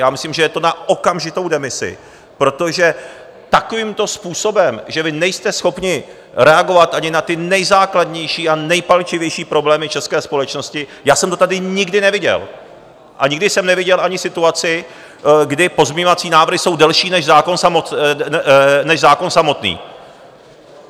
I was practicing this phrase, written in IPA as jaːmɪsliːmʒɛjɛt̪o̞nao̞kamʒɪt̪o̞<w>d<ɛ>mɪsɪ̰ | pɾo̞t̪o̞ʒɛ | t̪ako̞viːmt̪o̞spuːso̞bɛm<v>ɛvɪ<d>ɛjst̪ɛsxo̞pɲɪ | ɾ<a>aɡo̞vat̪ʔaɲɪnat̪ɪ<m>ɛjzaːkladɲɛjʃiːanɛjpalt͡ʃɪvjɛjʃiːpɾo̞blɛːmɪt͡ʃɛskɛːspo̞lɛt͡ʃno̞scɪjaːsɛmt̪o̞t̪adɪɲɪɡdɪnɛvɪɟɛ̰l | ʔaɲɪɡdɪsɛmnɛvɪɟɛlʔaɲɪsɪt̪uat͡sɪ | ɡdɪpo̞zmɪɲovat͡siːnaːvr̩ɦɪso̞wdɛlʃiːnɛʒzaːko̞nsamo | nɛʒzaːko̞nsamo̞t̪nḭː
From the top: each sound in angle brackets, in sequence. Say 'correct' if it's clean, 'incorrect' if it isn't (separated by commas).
correct, correct, incorrect, incorrect, incorrect, incorrect